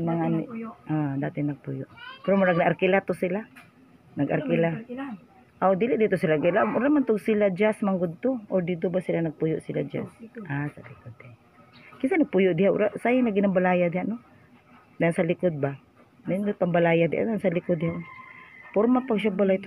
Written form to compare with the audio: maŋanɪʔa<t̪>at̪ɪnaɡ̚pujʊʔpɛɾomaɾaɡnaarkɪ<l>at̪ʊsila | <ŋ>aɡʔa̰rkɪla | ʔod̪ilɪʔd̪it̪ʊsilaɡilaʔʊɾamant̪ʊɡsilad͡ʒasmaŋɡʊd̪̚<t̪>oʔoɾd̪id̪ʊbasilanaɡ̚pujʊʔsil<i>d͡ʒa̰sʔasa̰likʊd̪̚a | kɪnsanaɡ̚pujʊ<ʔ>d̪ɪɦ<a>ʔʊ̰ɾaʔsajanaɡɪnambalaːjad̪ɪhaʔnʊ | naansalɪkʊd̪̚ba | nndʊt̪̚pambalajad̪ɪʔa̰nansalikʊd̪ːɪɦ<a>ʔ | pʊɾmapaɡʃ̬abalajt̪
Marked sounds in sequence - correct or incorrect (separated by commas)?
incorrect, correct, incorrect, correct, incorrect, correct, correct, correct